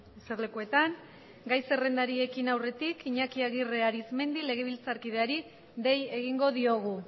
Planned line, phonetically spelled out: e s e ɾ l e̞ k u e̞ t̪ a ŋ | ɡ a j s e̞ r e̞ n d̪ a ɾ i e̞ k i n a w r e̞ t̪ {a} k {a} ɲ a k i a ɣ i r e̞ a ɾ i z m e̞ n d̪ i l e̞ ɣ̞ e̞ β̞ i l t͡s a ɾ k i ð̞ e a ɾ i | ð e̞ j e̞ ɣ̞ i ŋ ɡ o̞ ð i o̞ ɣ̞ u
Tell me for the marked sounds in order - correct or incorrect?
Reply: incorrect: i, incorrect: i

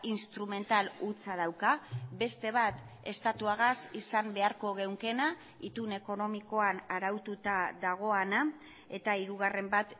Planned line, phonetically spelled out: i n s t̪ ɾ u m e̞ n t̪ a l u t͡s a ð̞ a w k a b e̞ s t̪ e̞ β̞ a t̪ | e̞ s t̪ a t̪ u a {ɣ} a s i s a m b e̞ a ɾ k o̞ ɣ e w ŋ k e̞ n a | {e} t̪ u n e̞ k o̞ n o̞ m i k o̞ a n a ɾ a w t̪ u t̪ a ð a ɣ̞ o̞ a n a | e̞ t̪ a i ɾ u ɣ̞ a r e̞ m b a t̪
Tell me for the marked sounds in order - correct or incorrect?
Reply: correct, incorrect: i

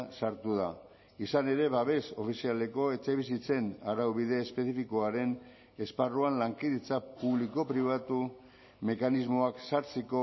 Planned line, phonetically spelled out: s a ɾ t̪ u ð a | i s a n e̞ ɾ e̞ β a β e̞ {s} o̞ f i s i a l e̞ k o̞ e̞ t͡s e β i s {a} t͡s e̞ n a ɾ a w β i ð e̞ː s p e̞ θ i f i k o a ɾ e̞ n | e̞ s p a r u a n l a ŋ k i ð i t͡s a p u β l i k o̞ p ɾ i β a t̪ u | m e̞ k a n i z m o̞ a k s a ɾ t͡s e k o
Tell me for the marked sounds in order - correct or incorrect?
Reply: correct, incorrect: i

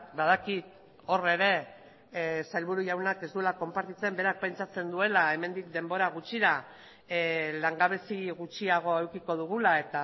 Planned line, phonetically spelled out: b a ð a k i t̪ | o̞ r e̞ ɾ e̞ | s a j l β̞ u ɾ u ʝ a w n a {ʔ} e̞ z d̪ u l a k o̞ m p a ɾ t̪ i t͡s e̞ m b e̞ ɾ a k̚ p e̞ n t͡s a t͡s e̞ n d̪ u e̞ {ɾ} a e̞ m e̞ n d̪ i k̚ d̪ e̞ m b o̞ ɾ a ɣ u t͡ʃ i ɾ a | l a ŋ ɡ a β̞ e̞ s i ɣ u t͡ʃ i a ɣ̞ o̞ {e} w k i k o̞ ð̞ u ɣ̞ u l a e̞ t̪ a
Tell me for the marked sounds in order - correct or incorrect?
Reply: incorrect: k, incorrect: l, correct

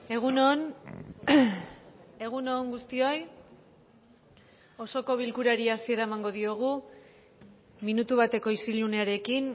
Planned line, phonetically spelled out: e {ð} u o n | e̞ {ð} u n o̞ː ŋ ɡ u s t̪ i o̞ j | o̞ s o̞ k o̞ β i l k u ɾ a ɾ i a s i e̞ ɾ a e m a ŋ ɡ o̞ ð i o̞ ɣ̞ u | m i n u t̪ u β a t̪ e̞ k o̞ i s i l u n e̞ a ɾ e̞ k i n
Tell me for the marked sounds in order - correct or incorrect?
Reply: incorrect: ɣ, incorrect: ɣ

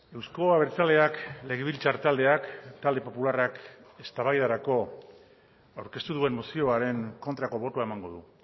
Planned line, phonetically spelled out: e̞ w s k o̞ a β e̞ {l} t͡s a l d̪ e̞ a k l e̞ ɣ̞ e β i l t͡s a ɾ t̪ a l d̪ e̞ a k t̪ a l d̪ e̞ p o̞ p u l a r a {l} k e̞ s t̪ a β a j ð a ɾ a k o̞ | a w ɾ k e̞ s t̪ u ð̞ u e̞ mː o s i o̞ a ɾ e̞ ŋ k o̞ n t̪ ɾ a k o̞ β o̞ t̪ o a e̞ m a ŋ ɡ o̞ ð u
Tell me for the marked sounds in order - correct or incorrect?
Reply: incorrect: ɾ, incorrect: none

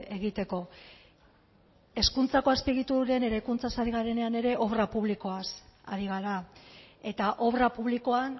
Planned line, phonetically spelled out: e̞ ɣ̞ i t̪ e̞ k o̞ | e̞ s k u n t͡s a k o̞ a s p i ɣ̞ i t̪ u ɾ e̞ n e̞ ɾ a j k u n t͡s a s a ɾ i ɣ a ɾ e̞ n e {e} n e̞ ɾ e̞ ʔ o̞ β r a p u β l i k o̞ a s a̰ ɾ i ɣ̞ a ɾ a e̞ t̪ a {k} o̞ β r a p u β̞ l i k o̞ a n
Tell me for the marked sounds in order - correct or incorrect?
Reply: incorrect: a, incorrect: ʔ

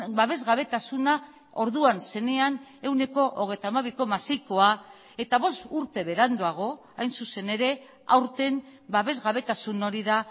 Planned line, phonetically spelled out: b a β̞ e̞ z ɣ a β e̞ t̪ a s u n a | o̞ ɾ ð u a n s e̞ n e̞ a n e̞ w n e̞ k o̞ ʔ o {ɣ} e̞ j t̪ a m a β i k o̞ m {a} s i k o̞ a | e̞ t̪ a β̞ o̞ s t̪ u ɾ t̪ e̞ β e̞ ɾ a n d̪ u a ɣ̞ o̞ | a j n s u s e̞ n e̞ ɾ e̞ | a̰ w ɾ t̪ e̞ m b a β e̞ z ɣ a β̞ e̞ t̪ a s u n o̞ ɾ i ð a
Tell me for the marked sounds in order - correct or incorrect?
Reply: correct, correct

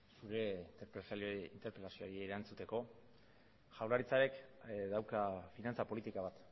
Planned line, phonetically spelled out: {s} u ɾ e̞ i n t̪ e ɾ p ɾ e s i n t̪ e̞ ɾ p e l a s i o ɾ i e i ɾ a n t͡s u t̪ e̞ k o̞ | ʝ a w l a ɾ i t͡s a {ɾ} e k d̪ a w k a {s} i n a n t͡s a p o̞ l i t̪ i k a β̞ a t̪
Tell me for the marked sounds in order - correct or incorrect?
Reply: correct, correct, incorrect: f

